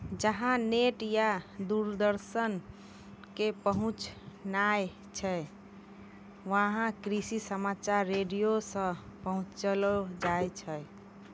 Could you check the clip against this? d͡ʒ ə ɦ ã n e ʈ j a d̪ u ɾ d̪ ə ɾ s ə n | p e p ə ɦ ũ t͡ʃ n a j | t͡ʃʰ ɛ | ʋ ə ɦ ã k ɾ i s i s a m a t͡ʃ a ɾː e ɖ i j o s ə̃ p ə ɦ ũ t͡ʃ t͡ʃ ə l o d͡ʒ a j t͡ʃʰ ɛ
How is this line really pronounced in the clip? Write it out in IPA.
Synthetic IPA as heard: d͡ʒ ə ɦ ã n e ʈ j a d̪ u ɾ d̪ ə ɾ s ə n | k e p ə ɦ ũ t͡ʃ n a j | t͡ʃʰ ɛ | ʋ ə ɦ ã k ɾ i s i s ə m a t͡ʃ a ɾː e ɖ i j o s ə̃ p ə ɦ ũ t͡ʃ t͡ʃ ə l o d͡ʒ a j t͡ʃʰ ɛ